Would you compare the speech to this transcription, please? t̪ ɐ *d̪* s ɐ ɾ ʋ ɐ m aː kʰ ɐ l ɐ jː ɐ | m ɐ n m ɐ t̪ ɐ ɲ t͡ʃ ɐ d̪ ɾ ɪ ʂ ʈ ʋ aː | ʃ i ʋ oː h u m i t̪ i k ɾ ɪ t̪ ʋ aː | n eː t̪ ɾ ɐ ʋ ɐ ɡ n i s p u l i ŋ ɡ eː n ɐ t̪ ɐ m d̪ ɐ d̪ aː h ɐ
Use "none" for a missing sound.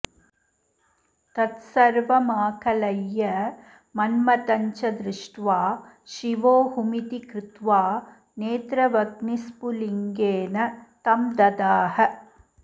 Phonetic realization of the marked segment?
t̪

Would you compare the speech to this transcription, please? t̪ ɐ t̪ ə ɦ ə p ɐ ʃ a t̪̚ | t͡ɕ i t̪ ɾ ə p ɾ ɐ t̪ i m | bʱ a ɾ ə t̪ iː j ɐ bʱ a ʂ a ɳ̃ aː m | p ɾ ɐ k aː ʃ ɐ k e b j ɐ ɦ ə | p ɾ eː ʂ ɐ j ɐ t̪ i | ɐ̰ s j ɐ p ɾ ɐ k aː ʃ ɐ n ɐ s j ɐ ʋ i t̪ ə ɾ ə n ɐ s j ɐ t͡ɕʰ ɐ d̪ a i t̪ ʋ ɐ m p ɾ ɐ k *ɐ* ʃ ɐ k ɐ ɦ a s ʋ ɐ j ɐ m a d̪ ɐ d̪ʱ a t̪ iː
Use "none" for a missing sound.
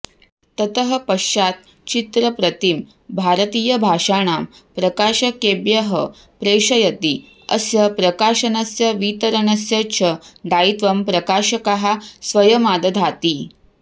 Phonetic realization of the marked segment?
a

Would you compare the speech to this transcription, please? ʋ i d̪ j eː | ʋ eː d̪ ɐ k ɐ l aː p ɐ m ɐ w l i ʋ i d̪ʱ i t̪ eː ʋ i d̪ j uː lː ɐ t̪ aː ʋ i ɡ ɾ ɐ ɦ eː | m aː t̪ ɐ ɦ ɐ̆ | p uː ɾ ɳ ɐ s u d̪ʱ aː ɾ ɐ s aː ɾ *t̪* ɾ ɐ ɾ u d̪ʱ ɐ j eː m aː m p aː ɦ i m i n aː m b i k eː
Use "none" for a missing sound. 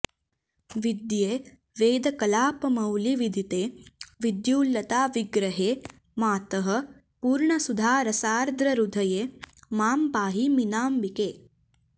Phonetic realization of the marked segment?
d̪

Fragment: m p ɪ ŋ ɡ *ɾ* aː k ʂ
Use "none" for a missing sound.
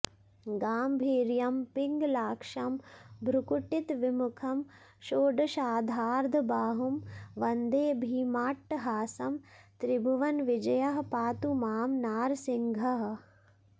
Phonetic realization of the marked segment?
l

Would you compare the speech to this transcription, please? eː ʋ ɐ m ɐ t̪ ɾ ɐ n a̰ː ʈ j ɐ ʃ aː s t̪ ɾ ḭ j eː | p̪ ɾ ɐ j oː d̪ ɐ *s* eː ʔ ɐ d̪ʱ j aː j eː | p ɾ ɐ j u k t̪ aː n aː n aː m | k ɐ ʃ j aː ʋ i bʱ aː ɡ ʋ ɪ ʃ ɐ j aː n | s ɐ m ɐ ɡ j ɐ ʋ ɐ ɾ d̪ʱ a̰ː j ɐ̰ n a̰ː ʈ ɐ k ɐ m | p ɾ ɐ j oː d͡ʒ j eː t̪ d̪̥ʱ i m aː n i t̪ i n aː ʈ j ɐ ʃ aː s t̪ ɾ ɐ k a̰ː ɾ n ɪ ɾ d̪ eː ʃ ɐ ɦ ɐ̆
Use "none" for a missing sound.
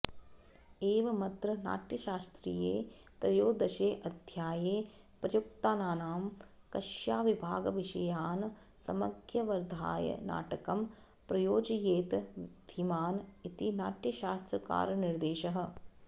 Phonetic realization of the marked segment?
ʃ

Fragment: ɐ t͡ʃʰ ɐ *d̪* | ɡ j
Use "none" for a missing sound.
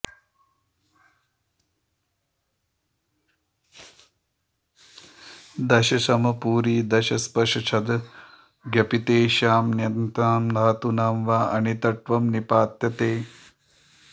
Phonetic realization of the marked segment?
d̪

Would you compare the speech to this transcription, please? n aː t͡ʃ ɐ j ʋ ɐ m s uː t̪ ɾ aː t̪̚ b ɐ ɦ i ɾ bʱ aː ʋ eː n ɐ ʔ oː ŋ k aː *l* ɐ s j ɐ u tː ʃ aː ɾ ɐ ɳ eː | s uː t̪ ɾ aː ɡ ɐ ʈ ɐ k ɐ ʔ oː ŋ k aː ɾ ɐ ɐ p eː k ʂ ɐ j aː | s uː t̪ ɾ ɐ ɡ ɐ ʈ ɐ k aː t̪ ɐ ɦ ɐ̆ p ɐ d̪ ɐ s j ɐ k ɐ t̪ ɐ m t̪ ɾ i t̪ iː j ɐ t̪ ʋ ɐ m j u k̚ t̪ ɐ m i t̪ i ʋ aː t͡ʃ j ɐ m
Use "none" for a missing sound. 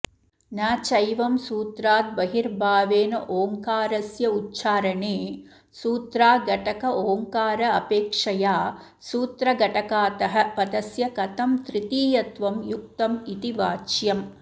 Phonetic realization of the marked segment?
ɾ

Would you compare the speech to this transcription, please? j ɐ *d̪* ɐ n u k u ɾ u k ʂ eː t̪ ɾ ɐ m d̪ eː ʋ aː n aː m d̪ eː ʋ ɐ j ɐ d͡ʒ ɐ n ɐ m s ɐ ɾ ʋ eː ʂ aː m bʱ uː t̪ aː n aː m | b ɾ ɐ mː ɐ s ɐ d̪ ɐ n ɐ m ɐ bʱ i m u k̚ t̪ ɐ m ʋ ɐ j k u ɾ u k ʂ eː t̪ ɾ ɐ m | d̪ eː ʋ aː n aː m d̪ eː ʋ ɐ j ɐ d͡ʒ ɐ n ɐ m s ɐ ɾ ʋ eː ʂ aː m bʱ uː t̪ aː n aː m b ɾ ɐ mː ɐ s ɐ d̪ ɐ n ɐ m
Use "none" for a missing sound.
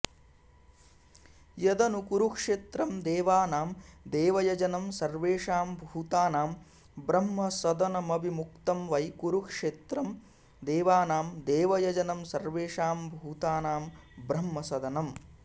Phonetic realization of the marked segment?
d̪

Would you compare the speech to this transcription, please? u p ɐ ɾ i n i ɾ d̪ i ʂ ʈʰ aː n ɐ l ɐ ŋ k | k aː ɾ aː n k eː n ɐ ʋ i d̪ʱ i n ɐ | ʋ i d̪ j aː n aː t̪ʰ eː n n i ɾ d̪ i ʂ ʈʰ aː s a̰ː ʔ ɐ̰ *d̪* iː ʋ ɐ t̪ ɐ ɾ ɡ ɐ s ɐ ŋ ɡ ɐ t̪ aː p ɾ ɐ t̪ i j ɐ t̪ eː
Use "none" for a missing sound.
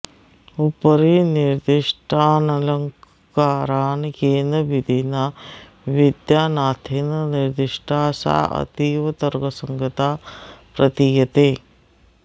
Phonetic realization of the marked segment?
t̪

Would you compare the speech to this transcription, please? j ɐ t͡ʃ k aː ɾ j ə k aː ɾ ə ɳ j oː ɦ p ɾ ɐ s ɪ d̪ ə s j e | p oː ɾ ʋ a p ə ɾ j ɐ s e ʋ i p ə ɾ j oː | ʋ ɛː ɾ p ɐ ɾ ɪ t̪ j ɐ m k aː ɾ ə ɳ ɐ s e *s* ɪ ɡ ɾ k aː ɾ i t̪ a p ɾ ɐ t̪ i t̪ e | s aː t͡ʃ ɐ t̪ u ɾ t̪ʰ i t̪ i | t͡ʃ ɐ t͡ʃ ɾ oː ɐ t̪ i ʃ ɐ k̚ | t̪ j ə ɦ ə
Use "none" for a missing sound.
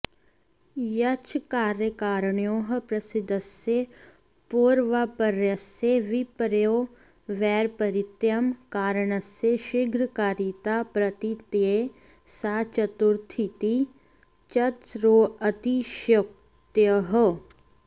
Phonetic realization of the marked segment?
ʃ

